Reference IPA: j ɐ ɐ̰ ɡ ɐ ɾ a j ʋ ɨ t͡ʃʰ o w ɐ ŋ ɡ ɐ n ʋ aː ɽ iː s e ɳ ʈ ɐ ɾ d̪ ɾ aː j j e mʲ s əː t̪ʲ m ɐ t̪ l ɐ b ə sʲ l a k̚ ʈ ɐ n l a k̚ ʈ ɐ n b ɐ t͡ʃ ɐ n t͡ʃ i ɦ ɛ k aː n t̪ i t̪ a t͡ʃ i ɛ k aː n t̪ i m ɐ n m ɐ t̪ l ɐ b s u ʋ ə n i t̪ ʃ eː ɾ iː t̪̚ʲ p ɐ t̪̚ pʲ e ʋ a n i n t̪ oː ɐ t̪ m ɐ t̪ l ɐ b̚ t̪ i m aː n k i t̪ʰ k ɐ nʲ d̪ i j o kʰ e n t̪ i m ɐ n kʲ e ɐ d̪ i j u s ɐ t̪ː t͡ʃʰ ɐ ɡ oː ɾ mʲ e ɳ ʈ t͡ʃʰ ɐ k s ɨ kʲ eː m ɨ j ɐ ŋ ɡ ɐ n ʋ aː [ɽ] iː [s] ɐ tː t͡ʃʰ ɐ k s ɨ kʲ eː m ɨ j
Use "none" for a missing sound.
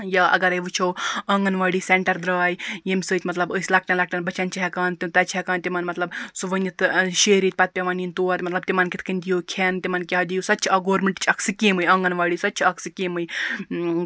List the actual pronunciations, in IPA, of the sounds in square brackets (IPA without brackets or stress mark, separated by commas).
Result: ɽ, s